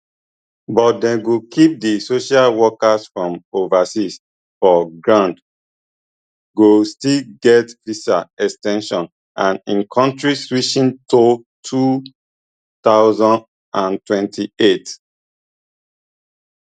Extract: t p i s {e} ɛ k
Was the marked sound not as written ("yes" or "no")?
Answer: yes